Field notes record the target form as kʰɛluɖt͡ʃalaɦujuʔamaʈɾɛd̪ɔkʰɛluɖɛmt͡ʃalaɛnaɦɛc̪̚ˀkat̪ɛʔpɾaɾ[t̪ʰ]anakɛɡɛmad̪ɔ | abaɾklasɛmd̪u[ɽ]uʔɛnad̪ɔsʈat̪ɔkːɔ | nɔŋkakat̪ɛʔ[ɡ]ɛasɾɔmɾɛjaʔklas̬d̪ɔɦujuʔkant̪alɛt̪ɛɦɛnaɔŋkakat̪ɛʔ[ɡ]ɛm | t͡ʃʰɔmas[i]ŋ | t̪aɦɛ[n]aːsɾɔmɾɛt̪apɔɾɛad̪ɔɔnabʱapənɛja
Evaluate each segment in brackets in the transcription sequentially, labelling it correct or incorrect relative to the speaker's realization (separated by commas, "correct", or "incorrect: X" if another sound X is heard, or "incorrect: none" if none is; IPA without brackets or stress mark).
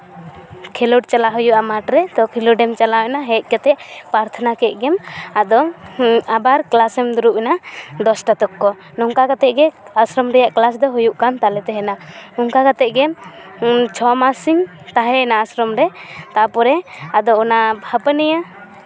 correct, incorrect: ɾ, correct, correct, correct, correct